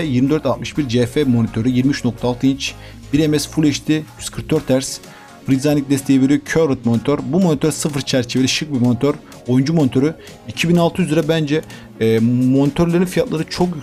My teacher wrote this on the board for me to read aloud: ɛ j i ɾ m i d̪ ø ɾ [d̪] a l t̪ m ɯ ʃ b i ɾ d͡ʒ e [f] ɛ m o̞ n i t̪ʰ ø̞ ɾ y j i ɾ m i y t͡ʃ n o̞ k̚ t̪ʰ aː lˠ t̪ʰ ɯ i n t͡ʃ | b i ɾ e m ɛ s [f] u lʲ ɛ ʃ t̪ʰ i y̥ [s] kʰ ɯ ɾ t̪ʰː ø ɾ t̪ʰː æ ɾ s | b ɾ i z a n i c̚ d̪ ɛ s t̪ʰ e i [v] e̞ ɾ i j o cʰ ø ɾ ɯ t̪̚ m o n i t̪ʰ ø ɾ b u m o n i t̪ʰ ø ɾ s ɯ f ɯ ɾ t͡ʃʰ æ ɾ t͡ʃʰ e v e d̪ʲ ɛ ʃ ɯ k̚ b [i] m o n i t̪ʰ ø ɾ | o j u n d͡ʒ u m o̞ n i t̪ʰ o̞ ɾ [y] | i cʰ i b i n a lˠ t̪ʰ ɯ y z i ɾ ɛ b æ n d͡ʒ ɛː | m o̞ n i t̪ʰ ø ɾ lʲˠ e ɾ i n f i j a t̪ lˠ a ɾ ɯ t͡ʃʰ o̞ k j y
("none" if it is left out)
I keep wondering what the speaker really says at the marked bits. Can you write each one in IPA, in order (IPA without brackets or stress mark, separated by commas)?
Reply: t̪, f, f, s, v, i, y